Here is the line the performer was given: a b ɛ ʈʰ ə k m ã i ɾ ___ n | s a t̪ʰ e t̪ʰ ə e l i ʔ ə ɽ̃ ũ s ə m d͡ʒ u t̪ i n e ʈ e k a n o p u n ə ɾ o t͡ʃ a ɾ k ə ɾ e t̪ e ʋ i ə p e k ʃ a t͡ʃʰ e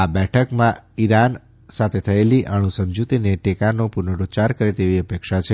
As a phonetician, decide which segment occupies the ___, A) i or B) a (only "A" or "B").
B